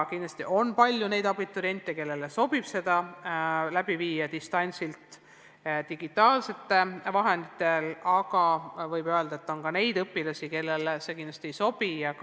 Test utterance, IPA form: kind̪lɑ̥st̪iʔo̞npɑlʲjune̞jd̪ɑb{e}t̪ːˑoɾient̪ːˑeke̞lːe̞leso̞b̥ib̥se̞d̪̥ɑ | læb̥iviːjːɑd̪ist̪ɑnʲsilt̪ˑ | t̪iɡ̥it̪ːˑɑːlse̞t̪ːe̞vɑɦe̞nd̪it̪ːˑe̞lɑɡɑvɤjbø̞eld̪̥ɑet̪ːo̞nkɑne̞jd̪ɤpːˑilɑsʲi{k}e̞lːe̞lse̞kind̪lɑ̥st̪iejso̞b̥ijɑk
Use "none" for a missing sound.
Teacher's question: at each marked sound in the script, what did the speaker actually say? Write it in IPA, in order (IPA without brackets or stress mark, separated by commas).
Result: i, k